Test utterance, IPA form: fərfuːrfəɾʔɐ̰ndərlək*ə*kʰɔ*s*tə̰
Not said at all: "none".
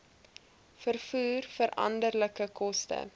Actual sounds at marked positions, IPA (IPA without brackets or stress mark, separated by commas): ə, s